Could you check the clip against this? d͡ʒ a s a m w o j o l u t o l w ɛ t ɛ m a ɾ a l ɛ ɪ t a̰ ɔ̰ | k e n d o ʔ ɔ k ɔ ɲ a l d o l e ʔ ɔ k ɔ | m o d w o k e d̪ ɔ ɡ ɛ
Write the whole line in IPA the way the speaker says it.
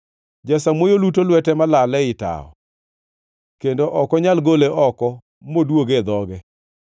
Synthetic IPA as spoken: d͡ʒ a s a m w o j o l u t o l w ɛ t ɛ m a l a l ɛ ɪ t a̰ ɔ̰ | k e n d o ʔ ɔ k ɔ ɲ a l ɡ o l e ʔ ɔ k ɔ | m o d w o ɡ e d̪ ɔ ɡ ɛ